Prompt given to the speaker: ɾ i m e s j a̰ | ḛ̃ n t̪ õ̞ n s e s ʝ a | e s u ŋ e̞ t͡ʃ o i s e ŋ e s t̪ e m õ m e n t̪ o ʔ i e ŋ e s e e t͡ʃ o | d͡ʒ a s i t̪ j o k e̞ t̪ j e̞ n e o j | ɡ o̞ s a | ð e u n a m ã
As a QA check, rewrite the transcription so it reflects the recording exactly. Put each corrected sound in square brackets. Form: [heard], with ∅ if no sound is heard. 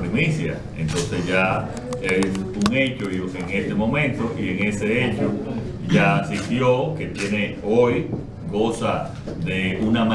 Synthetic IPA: ɾ i m [i] s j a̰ | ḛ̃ n t̪ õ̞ n s e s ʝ a | e s u ŋ e̞ t͡ʃ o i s e ŋ e s t̪ e m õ m [ẽ] n t̪ o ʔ i e ŋ e s e e t͡ʃ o | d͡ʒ a s i t̪ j o k e̞ t̪ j e̞ n e o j | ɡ o̞ s a | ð e u n a m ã